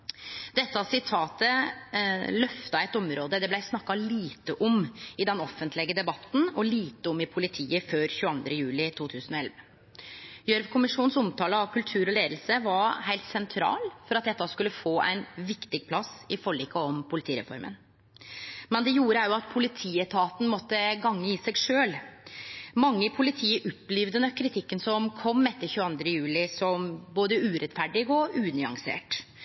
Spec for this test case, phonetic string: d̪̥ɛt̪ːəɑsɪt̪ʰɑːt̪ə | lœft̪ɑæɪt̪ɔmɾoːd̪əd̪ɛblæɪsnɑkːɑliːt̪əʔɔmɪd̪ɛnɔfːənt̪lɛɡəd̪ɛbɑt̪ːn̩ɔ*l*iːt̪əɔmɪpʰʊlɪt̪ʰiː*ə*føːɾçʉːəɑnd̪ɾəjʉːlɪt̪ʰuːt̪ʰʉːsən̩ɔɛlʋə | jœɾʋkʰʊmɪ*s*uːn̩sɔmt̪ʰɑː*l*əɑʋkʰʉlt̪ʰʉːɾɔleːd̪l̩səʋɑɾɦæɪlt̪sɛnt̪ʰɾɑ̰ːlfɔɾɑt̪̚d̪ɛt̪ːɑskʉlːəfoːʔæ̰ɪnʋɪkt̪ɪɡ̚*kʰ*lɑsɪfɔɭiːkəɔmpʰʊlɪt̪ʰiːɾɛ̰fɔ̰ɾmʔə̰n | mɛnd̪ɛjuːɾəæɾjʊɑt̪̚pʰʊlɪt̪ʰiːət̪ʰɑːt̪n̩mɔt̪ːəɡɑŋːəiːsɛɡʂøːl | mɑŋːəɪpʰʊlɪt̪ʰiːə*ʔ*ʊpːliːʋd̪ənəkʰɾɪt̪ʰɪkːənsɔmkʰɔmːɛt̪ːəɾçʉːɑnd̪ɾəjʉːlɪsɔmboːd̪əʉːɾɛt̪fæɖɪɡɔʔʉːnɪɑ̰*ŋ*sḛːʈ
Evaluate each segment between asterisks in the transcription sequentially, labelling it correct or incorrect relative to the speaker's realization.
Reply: correct, correct, incorrect, correct, incorrect, correct, correct

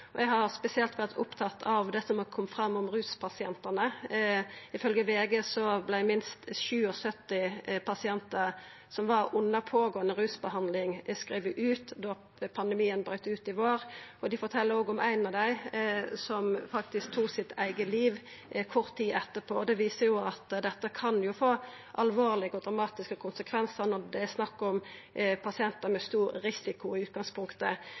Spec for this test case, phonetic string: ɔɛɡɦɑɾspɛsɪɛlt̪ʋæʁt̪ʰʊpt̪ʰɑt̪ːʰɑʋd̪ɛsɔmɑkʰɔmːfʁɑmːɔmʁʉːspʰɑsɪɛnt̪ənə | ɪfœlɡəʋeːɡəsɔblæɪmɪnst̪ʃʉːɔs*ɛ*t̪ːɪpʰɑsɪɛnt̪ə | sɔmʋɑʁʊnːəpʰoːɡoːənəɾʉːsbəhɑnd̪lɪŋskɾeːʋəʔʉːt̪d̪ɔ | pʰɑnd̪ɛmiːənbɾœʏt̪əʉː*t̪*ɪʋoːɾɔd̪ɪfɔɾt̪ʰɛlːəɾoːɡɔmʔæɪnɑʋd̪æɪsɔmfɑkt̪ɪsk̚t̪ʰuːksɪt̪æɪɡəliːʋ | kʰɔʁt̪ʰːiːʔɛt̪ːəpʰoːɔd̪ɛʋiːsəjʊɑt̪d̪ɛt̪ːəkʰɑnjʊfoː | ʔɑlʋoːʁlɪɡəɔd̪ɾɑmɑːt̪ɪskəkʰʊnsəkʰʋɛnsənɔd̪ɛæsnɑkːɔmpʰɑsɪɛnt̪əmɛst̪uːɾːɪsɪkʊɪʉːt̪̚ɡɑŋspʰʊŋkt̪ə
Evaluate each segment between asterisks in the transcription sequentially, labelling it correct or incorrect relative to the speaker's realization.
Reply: incorrect, correct

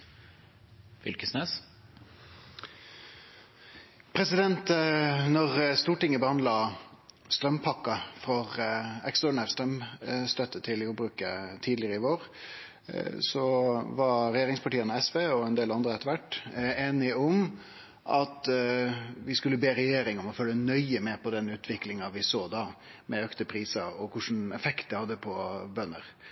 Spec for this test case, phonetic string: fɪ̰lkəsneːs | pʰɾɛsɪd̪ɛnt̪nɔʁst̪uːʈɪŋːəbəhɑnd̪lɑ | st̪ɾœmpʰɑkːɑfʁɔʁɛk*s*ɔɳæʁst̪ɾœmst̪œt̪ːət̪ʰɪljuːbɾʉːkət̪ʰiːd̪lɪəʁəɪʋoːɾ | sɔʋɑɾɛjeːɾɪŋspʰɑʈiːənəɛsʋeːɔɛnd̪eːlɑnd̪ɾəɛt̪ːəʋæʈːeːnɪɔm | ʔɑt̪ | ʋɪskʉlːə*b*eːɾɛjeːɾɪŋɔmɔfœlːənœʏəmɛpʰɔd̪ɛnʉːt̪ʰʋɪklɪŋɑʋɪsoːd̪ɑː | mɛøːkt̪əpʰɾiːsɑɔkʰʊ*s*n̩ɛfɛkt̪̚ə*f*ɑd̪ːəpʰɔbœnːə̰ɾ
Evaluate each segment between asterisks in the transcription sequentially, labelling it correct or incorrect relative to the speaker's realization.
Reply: correct, correct, incorrect, incorrect

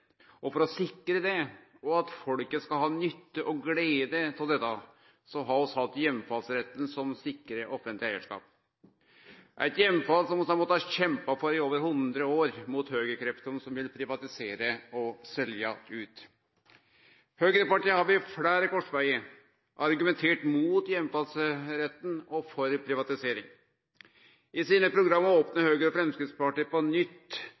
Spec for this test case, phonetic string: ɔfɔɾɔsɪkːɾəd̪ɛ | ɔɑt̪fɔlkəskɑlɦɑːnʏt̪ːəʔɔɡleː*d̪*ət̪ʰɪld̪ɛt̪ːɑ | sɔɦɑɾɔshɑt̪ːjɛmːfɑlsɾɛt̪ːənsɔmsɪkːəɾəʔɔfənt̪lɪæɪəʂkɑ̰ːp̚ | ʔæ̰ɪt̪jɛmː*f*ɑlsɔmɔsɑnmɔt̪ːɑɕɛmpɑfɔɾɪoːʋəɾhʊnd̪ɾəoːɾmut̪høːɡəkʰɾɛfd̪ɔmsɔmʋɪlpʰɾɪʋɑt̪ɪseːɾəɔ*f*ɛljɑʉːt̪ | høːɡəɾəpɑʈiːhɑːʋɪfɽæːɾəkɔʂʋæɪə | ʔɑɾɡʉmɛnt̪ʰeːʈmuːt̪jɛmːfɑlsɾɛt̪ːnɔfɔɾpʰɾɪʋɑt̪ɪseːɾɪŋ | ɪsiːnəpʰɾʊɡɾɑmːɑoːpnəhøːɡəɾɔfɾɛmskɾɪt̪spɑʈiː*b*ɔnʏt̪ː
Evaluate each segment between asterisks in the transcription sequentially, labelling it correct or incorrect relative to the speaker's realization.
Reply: correct, correct, incorrect, incorrect

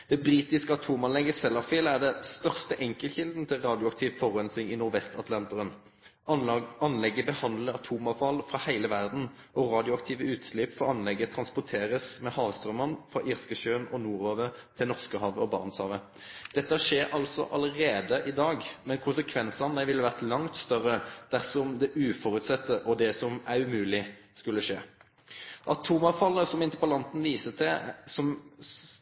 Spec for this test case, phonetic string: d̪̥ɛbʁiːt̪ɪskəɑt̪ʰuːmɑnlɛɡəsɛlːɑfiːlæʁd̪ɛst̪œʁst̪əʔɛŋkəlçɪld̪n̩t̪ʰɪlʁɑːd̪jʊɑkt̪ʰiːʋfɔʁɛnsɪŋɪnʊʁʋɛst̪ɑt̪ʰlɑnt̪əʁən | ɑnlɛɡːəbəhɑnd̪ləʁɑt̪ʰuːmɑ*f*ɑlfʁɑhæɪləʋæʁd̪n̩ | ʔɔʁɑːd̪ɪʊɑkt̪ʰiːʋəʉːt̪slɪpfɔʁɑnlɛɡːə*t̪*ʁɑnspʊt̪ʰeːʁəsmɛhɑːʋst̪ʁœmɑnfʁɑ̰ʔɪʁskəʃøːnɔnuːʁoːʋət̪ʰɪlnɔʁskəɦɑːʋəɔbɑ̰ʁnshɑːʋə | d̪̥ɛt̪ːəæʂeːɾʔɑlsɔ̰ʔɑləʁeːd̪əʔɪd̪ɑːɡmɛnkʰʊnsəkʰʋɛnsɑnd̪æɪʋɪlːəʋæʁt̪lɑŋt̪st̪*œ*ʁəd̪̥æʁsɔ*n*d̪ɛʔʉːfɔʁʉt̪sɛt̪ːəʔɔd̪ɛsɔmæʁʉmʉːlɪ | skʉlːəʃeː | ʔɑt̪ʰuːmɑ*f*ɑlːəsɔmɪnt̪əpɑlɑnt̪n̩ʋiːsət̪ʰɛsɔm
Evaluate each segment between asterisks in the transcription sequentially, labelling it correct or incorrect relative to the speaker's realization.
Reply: correct, incorrect, correct, incorrect, correct

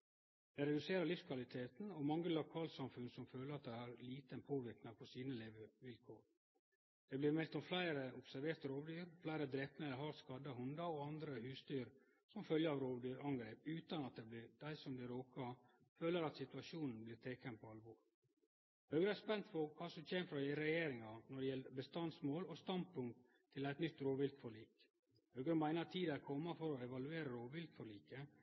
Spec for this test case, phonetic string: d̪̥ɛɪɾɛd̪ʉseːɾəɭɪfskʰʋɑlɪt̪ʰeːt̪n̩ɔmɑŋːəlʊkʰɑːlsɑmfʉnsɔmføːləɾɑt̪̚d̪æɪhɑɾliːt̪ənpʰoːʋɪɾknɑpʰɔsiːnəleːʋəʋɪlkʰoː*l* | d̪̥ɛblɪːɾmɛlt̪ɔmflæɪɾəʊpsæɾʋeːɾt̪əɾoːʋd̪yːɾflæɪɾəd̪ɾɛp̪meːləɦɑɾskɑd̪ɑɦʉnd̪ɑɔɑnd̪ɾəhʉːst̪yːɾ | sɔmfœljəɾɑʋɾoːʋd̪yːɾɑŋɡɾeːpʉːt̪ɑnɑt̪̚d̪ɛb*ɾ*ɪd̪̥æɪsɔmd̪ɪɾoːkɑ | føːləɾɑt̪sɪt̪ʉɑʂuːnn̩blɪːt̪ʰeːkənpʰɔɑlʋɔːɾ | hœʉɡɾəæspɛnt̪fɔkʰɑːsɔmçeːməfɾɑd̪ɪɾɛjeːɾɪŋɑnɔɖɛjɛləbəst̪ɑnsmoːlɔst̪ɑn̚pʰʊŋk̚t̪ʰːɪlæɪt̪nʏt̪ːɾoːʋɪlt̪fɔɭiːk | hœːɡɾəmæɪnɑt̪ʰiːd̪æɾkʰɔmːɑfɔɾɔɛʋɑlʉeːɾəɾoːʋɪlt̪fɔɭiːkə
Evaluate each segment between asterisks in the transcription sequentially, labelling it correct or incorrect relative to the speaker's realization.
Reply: incorrect, incorrect

